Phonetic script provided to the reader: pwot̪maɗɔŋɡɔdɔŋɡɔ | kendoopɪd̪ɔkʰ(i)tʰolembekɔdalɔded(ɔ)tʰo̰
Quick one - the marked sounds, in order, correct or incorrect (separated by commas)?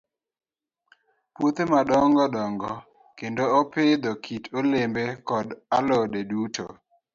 correct, incorrect